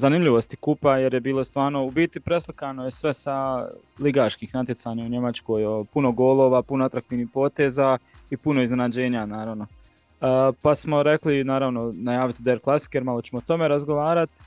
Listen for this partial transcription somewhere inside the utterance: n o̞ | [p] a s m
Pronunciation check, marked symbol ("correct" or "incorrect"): correct